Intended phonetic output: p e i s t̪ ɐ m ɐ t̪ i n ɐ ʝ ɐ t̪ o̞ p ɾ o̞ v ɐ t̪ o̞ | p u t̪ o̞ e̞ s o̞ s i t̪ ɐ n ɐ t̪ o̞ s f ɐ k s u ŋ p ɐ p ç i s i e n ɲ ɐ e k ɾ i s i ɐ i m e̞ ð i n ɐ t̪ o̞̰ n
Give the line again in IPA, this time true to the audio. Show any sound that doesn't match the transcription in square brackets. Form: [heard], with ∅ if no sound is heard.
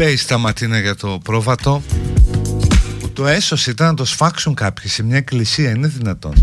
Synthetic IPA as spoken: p e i s t̪ ɐ m ɐ t̪ i n ɐ ʝ ɐ t̪ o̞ p ɾ o̞ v ɐ t̪ o̞ | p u t̪ o̞ e̞ s o̞ s i t̪ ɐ n ɐ t̪ o̞ s f ɐ k s u ŋ [k] ɐ p ç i s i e [m] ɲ ɐ e k [l] i s i ɐ i [n] e̞ ð i n ɐ t̪ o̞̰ n